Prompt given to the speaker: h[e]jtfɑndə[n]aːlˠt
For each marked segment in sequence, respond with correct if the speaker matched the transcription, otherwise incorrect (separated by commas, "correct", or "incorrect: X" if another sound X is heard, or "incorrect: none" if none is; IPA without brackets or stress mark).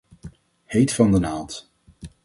correct, correct